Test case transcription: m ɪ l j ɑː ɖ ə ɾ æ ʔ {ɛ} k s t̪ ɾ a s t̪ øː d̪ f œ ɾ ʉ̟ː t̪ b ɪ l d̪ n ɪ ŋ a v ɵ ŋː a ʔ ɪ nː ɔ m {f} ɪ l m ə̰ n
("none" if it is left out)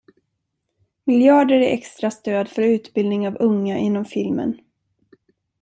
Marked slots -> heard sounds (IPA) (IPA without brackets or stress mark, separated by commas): ɛ, f